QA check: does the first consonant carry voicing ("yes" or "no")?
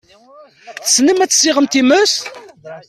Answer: no